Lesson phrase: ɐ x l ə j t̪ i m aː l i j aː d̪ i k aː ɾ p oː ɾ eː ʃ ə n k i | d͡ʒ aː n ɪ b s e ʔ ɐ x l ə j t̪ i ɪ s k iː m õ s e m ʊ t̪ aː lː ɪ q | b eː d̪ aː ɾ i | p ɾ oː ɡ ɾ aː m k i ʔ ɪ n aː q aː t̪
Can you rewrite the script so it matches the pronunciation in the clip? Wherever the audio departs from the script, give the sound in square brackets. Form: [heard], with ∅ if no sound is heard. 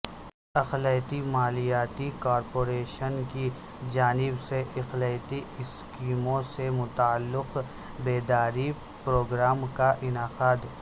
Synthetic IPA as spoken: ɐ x l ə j t̪ i m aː l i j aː [t̪] i k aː ɾ p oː ɾ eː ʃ ə n k i | d͡ʒ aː n ɪ b s e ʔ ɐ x l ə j t̪ i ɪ s k iː m õ s e m ʊ t̪ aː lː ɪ q | b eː d̪ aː ɾ i | p ɾ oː ɡ ɾ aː m k [a] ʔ ɪ n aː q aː [d̪]